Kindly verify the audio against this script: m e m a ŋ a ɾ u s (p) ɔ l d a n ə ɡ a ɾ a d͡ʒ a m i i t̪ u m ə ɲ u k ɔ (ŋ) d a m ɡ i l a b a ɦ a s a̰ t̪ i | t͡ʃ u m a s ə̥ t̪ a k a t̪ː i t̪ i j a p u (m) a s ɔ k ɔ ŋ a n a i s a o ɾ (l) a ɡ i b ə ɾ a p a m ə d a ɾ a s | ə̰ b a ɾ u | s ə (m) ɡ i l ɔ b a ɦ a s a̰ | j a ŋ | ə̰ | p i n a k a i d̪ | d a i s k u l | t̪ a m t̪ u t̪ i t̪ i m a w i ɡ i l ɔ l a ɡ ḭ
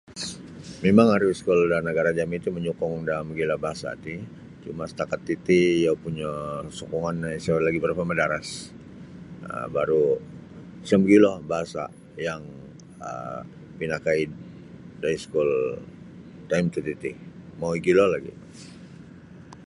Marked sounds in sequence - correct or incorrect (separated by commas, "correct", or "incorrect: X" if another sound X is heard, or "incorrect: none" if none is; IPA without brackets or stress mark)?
incorrect: k, correct, incorrect: ɲ, correct, correct